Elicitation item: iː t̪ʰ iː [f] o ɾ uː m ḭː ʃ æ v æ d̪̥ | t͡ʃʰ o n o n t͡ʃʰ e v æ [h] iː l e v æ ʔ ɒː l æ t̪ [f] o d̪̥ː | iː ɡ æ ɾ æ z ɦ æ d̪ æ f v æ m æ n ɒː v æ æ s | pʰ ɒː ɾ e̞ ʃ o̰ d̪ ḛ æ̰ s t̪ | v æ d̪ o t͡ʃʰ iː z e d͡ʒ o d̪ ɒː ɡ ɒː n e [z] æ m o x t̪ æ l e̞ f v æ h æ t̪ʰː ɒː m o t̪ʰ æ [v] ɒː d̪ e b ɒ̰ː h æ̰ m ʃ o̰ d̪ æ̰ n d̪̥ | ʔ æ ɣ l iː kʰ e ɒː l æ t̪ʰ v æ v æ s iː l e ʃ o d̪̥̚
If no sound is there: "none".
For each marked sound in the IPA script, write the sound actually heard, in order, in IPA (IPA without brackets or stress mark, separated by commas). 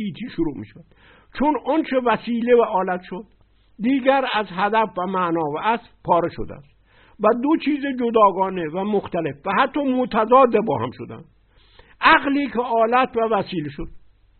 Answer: ʃ, s, ʃ, v, z